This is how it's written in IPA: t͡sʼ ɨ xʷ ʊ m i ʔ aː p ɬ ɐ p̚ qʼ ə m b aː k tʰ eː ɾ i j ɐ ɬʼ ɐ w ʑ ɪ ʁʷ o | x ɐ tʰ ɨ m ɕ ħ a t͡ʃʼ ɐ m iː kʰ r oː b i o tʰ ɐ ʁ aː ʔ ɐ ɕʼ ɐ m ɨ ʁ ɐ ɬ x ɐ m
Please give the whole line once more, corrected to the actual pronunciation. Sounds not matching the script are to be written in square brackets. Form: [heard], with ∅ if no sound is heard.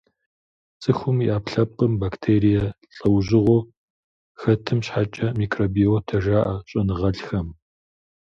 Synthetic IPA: t͡sʼ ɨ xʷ ʊ m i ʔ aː p ɬ ɐ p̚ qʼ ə m b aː k tʰ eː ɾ i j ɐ ɬʼ ɐ w ʑ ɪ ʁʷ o | x ɐ tʰ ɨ m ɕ ħ a t͡ʃʼ ɐ m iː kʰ r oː b i o tʰ ɐ [ʒ] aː ʔ ɐ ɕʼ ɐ [n] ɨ ʁ ɐ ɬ x ɐ m